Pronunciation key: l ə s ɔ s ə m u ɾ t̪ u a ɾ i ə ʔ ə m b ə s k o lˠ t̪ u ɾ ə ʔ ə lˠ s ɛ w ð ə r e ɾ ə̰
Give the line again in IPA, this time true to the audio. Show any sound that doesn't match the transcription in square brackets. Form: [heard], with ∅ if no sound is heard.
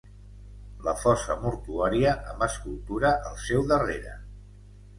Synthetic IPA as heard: l ə [f] ɔ s ə m u ɾ t̪ u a ɾ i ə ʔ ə m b ə s k [u] lˠ t̪ u ɾ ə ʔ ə lˠ s ɛ w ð ə r e ɾ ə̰